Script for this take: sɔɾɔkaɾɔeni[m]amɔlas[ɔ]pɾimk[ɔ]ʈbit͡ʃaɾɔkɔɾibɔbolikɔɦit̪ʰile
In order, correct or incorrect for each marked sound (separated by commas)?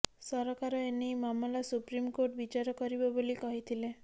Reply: correct, incorrect, incorrect